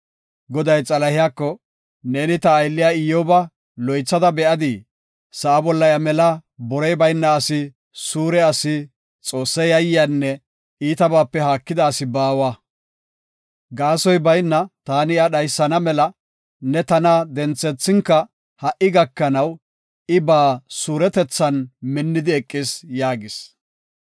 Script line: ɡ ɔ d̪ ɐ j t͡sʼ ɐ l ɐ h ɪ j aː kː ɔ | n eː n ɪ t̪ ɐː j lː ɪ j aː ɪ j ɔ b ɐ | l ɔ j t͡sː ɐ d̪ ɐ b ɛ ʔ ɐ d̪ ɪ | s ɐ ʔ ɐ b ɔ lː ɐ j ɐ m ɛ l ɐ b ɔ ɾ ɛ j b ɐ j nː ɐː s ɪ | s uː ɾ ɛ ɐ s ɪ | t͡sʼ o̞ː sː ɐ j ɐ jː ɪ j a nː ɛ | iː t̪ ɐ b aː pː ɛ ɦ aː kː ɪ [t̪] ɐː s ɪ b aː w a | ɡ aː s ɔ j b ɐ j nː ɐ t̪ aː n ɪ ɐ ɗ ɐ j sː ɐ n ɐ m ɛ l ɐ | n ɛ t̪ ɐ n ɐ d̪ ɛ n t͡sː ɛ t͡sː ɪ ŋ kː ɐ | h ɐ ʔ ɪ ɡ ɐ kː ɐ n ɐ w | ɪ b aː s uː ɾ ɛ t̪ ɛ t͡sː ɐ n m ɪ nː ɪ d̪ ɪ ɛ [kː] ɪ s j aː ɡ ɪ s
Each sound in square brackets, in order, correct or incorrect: incorrect, incorrect

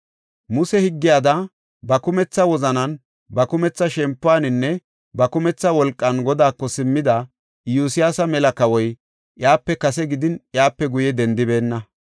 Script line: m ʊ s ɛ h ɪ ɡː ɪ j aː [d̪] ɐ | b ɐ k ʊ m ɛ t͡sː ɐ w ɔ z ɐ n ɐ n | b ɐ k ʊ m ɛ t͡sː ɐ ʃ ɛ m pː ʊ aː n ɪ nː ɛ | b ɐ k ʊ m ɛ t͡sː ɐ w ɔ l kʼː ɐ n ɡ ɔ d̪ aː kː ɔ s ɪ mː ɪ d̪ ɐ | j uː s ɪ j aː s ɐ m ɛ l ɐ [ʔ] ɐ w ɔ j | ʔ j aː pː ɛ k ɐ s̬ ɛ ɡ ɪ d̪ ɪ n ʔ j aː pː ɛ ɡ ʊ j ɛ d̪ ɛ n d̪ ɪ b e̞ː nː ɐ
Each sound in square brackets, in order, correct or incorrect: correct, incorrect

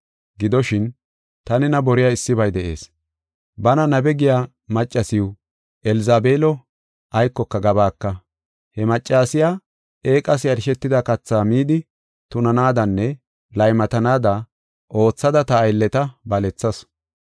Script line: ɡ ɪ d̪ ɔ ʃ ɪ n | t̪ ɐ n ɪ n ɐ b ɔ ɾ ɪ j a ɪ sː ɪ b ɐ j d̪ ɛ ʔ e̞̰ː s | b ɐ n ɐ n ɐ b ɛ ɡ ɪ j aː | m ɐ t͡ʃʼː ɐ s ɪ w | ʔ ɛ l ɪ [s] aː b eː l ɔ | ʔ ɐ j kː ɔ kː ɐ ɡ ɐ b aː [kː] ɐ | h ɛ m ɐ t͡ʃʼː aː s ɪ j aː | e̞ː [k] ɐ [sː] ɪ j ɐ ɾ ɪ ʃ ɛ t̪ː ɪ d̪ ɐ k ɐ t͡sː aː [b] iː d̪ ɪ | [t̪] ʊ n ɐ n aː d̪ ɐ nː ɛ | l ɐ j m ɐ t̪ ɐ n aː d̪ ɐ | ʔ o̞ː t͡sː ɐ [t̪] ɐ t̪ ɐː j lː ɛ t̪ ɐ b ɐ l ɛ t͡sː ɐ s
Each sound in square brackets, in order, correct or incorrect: incorrect, correct, incorrect, incorrect, incorrect, correct, incorrect

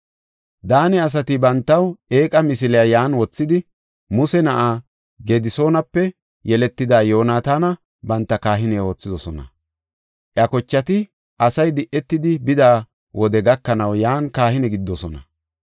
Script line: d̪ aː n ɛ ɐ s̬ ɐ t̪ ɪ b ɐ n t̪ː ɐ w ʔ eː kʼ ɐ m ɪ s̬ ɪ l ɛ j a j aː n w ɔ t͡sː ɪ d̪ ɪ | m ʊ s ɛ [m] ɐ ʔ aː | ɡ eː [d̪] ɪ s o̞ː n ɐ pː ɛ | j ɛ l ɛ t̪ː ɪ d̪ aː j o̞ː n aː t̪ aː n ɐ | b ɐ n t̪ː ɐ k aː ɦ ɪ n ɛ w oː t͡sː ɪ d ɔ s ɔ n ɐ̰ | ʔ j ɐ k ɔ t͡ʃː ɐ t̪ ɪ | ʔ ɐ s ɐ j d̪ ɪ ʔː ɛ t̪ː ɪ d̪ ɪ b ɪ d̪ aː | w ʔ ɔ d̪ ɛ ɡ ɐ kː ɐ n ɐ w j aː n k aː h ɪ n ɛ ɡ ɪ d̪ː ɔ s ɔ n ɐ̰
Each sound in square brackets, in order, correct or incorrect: incorrect, correct

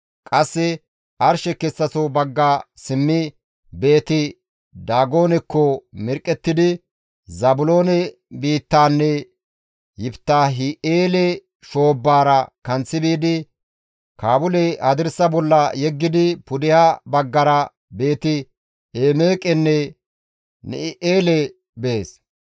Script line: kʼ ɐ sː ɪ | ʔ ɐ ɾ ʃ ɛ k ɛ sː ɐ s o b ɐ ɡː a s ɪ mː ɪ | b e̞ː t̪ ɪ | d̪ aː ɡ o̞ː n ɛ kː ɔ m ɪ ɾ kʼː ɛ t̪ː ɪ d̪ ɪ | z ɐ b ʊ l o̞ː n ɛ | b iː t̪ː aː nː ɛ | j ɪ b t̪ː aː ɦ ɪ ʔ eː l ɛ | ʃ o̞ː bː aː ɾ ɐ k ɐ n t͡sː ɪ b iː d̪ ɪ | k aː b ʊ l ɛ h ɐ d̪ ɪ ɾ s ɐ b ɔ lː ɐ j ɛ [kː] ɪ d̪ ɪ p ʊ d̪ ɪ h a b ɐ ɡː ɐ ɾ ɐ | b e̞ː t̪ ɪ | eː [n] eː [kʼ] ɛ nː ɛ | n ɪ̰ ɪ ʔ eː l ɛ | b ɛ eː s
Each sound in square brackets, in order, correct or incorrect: incorrect, incorrect, correct

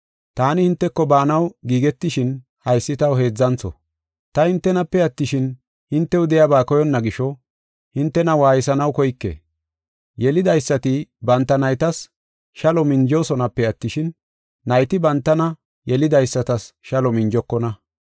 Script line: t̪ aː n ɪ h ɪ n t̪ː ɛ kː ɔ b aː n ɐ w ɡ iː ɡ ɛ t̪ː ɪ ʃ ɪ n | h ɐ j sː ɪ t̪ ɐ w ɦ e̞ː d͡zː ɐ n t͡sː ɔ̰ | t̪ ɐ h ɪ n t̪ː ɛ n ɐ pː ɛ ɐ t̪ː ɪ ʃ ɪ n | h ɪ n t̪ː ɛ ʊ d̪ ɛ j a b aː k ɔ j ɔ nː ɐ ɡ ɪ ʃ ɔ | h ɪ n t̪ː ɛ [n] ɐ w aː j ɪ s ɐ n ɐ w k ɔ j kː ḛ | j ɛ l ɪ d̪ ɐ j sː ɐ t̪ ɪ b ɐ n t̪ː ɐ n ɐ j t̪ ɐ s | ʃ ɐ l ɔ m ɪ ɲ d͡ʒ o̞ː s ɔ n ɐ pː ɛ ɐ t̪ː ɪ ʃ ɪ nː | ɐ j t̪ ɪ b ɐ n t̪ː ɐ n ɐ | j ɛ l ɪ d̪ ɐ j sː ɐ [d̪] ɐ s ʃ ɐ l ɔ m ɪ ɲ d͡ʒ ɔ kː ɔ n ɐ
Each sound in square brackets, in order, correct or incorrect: correct, incorrect

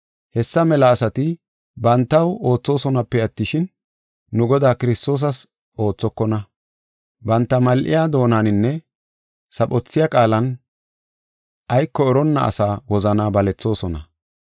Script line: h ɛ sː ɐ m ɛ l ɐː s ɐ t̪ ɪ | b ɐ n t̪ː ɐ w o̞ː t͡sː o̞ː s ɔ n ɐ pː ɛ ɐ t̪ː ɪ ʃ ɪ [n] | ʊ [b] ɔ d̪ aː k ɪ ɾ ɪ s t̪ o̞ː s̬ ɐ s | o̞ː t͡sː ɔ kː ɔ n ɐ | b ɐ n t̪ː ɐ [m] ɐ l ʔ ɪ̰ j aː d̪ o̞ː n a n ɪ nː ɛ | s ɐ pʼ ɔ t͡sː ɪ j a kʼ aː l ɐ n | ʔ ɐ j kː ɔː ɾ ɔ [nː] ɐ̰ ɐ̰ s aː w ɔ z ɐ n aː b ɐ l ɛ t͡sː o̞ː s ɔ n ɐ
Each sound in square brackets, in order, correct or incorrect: incorrect, incorrect, correct, correct

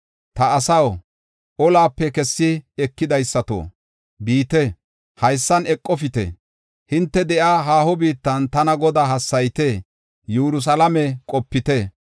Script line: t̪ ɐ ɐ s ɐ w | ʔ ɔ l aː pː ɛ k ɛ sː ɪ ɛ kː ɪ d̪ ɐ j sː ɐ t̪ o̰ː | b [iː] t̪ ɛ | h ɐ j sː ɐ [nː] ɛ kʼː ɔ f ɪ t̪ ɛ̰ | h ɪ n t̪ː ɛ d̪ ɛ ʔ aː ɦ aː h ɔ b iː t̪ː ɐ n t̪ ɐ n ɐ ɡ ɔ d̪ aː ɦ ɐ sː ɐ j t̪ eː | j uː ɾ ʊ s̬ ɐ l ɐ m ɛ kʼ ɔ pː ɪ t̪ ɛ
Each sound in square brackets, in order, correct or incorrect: correct, incorrect

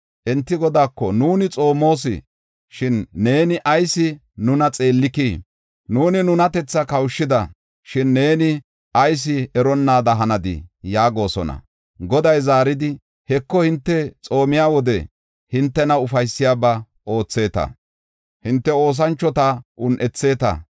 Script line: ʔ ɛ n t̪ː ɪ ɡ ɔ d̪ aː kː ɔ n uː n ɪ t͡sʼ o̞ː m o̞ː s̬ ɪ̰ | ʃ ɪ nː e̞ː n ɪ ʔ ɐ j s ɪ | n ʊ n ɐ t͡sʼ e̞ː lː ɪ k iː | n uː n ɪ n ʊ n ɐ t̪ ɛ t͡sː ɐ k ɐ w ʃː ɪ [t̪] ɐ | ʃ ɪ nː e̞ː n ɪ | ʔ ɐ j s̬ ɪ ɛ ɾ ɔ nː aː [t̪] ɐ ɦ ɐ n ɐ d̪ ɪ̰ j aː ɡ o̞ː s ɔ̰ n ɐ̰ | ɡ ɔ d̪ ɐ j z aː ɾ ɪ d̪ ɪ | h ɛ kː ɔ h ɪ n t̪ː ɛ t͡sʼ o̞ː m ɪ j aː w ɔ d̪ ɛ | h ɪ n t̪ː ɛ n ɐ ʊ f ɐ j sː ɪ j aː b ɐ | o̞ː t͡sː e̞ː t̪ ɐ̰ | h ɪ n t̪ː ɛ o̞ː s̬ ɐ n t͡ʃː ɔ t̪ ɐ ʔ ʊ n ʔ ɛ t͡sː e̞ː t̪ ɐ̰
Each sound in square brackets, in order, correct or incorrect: incorrect, incorrect

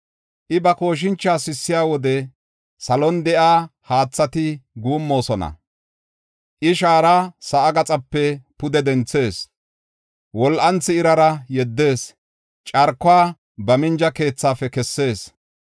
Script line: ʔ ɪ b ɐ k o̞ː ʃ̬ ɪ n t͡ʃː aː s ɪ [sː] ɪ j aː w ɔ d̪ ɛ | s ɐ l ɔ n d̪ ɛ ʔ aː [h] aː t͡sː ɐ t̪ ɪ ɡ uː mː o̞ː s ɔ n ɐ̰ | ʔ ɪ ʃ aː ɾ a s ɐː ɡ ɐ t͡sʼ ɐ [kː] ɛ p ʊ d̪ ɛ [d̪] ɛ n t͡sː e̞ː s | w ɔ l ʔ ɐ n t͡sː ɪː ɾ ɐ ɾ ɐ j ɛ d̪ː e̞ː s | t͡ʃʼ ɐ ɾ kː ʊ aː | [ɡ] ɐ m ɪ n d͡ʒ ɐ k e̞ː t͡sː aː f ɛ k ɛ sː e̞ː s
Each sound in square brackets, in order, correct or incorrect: correct, correct, incorrect, correct, incorrect

